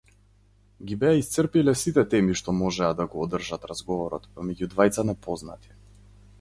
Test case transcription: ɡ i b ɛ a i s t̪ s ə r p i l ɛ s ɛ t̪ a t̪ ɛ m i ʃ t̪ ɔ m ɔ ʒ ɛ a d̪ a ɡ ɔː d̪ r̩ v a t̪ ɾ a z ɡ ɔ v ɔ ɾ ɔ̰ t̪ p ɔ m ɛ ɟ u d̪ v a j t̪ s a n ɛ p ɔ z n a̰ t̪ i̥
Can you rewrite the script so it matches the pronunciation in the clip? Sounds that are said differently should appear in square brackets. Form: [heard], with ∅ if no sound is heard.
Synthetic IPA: ɡ i b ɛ a i s t̪ s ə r p i l ɛ s [i] t̪ [ɛ] t̪ ɛ m i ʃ t̪ ɔ m ɔ ʒ ɛ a d̪ a ɡ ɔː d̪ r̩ [ʒ] a t̪ ɾ a z ɡ ɔ v ɔ ɾ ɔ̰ t̪ p ɔ m ɛ ɟ u d̪ v a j t̪ s a n ɛ p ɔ z n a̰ t̪ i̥